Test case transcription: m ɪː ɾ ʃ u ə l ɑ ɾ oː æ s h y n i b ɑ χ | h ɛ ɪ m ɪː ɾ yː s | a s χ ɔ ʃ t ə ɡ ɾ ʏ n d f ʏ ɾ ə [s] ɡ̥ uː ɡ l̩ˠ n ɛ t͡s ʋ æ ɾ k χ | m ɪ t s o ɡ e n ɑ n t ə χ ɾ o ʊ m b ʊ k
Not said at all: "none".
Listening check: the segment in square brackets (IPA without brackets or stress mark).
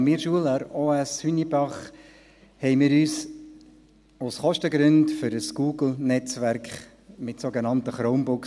s